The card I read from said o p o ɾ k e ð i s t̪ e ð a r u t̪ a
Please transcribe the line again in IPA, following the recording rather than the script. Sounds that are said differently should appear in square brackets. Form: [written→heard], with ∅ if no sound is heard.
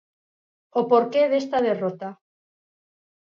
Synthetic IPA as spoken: o p o ɾ k e ð [i→e] s t̪ [e→a] ð [a→e] r [u→o] t̪ a